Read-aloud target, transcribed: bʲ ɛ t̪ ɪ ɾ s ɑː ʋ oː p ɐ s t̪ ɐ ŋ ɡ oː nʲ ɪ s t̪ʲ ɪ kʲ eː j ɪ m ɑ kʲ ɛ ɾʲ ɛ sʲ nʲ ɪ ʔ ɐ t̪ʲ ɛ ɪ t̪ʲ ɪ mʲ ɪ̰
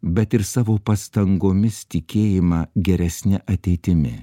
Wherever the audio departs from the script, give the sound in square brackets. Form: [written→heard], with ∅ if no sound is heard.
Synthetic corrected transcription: bʲ ɛ t̪ ɪ ɾ s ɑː ʋ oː p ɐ s t̪ ɐ ŋ ɡ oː [nʲ→mʲ] ɪ s t̪ʲ ɪ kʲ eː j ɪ m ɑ [kʲ→ɡʲ] ɛ ɾʲ ɛ sʲ nʲ ɪ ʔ ɐ t̪ʲ ɛ ɪ t̪ʲ ɪ mʲ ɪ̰